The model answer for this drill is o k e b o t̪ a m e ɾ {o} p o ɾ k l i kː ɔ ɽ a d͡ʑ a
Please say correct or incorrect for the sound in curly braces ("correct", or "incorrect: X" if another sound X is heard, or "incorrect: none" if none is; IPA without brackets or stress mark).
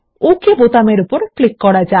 incorrect: u